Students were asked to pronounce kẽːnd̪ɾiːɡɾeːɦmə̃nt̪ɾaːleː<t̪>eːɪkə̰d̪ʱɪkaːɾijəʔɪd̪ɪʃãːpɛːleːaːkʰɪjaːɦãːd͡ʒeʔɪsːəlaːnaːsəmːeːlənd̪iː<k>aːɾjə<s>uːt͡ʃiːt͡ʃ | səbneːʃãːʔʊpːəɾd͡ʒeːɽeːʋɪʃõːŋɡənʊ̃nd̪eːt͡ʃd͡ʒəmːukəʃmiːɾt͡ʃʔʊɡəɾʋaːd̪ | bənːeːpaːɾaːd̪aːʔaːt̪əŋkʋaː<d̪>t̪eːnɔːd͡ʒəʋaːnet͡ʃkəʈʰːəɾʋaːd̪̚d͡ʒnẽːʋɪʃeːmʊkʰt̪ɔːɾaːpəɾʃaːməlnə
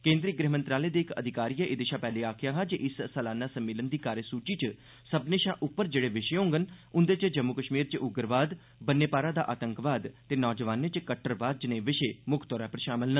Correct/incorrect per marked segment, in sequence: incorrect: d̪, correct, correct, correct

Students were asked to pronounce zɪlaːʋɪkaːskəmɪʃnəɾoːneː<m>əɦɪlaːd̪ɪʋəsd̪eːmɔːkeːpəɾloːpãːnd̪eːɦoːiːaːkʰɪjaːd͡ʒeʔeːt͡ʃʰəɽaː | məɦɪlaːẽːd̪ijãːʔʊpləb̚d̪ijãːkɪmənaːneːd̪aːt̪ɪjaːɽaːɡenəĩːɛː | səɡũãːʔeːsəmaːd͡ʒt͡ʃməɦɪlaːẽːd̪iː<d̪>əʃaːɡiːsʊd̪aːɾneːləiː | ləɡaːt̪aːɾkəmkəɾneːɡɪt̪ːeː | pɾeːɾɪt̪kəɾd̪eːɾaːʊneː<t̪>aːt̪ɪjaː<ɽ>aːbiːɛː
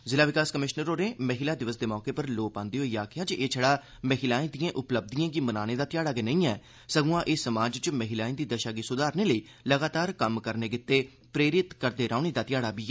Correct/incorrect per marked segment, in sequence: correct, correct, incorrect: d̪, correct

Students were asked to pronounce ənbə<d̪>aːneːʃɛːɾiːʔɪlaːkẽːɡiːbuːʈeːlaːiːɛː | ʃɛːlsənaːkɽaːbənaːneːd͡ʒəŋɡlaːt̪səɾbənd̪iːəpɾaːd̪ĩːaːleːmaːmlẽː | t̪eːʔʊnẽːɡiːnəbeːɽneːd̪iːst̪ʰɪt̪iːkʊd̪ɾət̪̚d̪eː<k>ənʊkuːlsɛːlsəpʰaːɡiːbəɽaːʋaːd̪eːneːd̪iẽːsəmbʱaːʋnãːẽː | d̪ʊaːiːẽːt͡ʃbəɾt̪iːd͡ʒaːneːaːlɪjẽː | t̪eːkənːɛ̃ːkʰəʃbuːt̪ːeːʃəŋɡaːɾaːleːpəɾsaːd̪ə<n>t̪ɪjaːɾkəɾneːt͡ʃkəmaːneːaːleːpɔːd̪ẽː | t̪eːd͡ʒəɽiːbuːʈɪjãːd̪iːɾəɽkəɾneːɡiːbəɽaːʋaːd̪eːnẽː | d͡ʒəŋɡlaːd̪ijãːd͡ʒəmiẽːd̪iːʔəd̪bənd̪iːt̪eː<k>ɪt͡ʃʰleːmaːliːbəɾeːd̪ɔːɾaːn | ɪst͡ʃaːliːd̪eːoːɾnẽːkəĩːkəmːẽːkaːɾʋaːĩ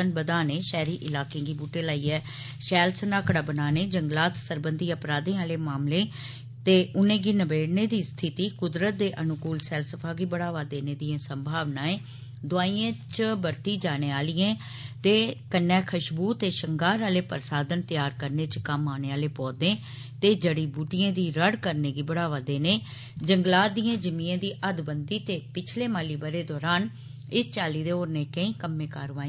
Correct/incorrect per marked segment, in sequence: correct, incorrect: ʔ, correct, incorrect: p

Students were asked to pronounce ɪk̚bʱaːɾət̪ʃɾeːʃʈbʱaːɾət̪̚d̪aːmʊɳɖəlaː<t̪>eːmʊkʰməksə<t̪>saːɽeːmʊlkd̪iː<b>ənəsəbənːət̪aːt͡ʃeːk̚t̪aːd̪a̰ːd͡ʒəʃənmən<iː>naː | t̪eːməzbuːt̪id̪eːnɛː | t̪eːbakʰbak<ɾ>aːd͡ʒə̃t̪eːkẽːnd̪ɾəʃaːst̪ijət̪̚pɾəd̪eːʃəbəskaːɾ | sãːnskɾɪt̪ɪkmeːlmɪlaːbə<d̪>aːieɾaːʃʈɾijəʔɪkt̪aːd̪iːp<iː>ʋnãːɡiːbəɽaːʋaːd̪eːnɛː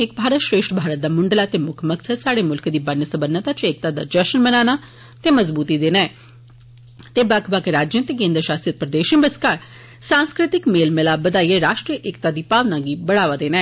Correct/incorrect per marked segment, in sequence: correct, incorrect: d̪, correct, incorrect: aː, correct, correct, incorrect: aː

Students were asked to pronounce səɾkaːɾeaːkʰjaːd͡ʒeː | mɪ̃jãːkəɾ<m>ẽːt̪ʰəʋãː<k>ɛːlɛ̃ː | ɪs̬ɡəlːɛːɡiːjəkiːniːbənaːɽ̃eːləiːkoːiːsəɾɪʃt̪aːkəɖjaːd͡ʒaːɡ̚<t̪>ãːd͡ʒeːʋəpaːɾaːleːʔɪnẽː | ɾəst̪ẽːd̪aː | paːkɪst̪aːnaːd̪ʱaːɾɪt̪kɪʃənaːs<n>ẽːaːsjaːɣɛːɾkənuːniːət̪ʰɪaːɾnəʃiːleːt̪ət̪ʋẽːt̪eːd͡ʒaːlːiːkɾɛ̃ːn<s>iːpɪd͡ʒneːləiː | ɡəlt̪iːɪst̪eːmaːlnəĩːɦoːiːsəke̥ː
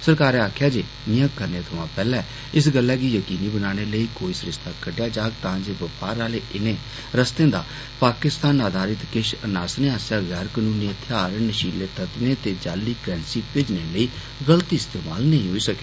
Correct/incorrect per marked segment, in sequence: incorrect: n, incorrect: p, correct, correct, correct

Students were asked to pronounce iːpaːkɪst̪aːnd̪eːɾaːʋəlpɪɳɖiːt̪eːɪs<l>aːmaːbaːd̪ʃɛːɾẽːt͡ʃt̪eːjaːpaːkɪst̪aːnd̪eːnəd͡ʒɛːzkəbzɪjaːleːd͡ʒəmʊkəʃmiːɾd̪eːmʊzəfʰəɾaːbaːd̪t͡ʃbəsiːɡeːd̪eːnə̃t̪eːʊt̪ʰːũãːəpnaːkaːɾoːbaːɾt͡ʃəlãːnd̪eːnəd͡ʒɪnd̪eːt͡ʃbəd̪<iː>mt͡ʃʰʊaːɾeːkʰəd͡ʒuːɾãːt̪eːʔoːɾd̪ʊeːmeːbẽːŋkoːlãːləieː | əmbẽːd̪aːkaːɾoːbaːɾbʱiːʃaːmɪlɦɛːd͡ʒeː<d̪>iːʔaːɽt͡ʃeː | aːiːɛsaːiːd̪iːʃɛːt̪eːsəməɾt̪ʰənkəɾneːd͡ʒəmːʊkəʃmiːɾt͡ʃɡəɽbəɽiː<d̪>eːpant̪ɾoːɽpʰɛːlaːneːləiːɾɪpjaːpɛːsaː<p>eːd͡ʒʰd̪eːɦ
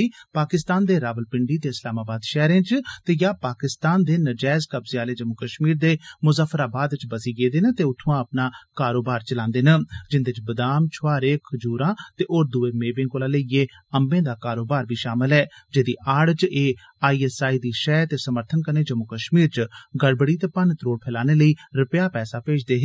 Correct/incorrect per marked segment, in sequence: correct, incorrect: aː, correct, incorrect: t̪, correct

